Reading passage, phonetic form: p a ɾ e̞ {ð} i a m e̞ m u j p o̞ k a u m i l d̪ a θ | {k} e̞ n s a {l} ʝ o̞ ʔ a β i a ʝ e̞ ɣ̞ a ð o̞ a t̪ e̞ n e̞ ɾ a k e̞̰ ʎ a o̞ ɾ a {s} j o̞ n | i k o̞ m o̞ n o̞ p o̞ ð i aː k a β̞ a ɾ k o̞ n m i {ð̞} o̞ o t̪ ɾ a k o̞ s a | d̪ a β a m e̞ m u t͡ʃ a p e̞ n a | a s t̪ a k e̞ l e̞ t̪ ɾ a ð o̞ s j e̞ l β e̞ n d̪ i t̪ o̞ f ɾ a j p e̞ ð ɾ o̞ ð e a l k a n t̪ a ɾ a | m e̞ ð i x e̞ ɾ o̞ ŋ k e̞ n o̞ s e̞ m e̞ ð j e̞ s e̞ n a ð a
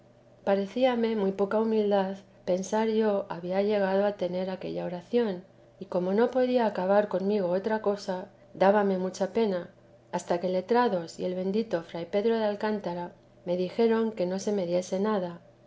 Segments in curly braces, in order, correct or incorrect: incorrect: θ, incorrect: p, incorrect: ɾ, incorrect: θ, incorrect: ɣ̞

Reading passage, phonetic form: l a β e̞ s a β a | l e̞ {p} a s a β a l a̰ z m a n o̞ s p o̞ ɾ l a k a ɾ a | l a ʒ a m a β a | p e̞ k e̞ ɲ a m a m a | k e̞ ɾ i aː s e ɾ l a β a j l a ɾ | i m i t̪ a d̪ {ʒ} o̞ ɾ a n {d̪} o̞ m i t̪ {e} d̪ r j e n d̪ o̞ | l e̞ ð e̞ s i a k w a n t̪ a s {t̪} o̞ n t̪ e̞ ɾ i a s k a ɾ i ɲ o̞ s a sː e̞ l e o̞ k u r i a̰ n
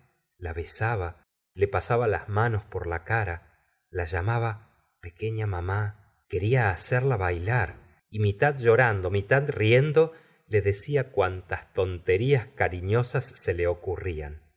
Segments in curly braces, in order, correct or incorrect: correct, correct, correct, incorrect: a, correct

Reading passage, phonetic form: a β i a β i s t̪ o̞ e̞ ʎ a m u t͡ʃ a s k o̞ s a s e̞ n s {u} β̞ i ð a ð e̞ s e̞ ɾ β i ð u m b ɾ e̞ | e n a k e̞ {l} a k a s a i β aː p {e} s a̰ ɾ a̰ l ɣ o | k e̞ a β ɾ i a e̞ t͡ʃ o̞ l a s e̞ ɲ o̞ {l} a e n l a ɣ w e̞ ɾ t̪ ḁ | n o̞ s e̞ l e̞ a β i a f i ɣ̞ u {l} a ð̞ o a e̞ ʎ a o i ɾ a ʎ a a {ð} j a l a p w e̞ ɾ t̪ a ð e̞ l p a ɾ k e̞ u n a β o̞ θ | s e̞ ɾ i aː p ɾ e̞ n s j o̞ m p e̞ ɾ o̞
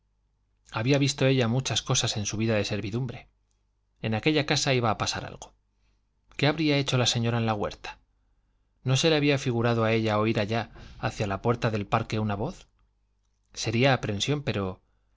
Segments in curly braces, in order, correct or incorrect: correct, incorrect: ʎ, incorrect: a, incorrect: ɾ, incorrect: ɾ, incorrect: θ

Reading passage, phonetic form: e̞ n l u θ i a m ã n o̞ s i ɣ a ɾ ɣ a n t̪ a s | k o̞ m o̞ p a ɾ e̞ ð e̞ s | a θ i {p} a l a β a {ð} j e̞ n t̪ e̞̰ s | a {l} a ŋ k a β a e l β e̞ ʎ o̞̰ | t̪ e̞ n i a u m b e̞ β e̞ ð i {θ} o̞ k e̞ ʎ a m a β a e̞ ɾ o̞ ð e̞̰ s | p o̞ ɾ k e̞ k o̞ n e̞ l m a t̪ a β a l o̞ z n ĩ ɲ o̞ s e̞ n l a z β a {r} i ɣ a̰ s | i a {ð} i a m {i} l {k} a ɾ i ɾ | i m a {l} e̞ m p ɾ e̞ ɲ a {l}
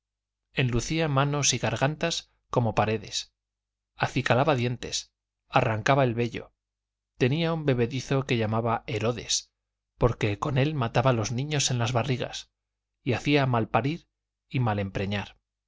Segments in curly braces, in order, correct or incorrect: incorrect: k, correct, incorrect: r, correct, correct, incorrect: θ, incorrect: a, incorrect: p, correct, incorrect: ɾ

